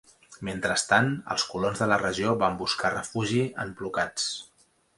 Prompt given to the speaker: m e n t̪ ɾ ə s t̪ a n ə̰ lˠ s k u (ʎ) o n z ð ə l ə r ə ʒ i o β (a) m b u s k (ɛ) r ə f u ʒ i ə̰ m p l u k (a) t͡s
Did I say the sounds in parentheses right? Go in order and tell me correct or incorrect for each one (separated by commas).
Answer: incorrect, correct, incorrect, correct